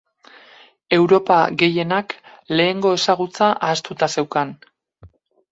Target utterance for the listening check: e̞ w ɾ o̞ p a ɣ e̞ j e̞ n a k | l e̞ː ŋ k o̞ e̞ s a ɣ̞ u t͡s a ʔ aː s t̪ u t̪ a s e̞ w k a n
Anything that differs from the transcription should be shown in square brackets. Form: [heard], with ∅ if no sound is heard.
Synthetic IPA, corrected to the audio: e̞ w ɾ o̞ p a ɣ e̞ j e̞ n a k | l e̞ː ŋ [ɡ] o̞ e̞ s a ɣ̞ u t͡s a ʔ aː s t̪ u t̪ a s e̞ w k a n